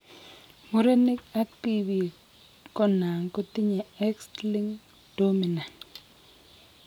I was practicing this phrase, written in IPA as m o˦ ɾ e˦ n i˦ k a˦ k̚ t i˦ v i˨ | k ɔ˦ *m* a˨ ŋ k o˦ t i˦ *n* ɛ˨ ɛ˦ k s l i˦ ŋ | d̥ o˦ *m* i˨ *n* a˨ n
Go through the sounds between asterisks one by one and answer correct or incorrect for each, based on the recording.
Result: incorrect: n, incorrect: ɲ, correct, correct

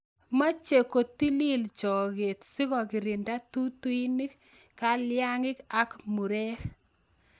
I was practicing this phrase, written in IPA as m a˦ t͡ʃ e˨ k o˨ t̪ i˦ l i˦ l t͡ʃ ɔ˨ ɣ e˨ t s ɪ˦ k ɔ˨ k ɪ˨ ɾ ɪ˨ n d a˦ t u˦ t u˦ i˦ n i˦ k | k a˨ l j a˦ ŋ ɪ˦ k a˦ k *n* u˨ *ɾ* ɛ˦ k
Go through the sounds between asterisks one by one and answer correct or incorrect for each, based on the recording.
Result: incorrect: m, correct

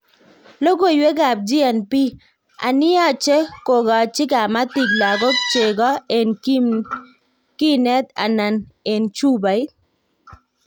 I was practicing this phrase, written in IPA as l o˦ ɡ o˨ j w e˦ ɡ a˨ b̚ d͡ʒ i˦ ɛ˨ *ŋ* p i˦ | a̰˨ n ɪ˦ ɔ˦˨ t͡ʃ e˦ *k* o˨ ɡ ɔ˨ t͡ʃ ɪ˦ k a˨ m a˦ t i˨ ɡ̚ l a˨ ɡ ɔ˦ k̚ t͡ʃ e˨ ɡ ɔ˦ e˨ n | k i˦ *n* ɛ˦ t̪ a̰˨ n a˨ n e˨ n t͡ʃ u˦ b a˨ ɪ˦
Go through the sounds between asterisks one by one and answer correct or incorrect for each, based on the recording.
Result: incorrect: n, correct, correct

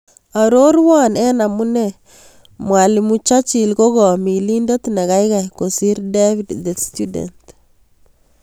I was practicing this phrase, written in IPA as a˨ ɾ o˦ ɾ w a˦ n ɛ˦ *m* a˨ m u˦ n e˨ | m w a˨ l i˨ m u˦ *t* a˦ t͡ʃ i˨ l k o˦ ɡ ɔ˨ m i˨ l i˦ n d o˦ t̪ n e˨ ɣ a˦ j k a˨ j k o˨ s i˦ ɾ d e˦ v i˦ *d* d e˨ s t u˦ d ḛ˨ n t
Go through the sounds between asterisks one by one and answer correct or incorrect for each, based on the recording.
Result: incorrect: n, incorrect: t͡ʃ, correct

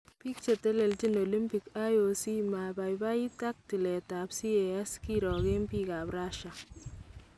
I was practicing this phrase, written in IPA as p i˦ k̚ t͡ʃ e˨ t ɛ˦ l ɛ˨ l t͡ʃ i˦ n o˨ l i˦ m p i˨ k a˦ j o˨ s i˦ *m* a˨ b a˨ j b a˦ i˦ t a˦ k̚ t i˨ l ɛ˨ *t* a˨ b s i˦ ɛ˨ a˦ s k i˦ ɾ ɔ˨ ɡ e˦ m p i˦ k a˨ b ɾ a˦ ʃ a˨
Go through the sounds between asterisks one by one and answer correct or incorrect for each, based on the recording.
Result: correct, correct

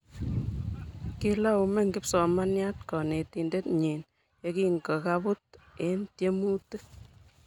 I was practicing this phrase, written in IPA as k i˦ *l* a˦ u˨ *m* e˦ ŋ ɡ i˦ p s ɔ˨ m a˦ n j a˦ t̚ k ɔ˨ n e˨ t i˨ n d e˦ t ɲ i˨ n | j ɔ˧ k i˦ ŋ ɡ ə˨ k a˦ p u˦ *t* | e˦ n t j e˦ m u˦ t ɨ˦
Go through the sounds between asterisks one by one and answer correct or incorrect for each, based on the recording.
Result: correct, correct, correct

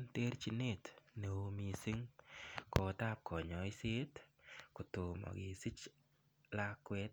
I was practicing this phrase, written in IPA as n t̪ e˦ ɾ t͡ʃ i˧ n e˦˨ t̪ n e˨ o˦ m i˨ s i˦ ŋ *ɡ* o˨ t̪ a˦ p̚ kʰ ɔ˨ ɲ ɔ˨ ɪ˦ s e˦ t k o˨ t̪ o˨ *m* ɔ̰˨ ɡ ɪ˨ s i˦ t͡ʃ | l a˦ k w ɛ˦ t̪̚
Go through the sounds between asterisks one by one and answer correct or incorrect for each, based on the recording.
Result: incorrect: k, correct

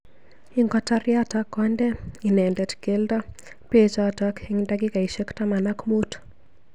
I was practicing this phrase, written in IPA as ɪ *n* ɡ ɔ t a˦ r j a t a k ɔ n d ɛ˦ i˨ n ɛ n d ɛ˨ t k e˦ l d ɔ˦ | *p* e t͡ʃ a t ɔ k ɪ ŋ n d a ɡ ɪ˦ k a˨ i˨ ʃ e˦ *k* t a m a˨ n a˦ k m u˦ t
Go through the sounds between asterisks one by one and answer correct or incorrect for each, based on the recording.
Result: incorrect: ŋ, correct, correct

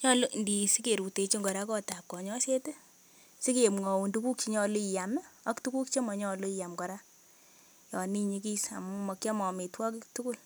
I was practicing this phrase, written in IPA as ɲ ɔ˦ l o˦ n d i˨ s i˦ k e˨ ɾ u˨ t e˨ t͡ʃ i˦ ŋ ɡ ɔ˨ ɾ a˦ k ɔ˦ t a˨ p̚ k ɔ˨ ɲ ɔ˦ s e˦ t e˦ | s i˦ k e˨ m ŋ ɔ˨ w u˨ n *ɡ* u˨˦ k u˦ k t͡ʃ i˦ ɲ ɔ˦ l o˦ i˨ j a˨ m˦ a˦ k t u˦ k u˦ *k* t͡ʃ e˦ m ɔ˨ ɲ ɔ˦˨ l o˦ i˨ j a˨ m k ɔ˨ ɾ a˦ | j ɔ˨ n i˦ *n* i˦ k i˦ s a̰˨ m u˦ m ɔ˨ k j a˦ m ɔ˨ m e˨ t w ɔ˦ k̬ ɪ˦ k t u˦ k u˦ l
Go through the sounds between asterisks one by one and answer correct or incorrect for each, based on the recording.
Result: incorrect: d, correct, incorrect: ɲ

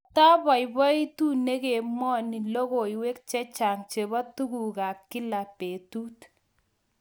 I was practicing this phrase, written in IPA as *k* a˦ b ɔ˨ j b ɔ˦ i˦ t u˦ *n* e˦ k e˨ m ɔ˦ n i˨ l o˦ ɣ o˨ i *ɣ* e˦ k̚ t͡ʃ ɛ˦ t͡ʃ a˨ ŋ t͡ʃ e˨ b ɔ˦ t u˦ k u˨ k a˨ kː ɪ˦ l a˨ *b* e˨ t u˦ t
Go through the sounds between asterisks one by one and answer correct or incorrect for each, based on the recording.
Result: incorrect: t, correct, incorrect: w, incorrect: p

